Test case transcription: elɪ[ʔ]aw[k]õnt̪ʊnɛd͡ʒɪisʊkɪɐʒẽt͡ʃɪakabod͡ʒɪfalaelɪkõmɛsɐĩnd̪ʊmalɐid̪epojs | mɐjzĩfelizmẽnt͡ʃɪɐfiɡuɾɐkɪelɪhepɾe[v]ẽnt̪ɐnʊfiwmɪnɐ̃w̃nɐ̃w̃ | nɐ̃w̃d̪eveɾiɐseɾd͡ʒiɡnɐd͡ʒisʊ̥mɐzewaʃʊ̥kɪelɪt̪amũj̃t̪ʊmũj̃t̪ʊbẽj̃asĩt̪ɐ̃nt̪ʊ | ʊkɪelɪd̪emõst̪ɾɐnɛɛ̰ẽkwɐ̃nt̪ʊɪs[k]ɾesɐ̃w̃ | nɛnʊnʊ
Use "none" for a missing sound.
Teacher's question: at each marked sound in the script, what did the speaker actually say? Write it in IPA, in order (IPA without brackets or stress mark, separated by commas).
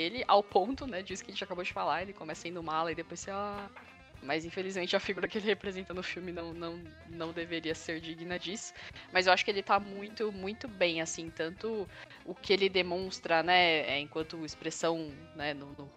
ʔ, p, z, p